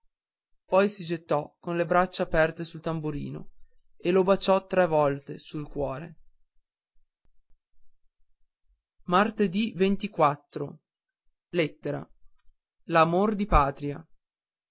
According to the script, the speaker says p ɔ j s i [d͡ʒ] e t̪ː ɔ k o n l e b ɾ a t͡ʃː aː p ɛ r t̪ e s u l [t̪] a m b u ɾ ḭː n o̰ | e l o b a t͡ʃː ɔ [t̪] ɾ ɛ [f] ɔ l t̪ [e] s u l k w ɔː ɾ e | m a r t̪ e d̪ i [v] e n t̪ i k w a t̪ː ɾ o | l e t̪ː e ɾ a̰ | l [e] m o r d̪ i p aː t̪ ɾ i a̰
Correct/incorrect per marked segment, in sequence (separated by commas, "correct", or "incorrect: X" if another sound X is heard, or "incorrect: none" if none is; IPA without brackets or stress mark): correct, correct, correct, incorrect: v, correct, correct, incorrect: a